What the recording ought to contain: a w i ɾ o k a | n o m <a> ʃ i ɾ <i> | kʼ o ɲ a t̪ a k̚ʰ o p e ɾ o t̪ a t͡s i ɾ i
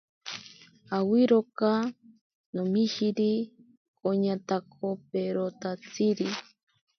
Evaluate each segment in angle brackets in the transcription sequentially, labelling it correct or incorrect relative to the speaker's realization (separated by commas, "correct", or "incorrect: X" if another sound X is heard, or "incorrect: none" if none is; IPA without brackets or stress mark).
incorrect: i, correct